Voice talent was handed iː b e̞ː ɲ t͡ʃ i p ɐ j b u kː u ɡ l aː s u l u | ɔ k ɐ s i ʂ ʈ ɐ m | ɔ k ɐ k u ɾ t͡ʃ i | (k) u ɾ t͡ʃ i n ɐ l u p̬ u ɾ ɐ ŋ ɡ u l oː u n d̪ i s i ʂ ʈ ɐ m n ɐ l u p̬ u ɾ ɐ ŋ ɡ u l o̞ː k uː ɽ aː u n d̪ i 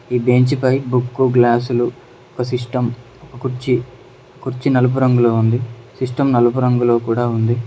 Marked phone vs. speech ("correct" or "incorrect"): correct